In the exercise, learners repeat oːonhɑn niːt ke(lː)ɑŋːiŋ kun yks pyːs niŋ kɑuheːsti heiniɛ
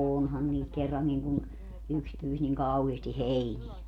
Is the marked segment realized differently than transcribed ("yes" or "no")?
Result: yes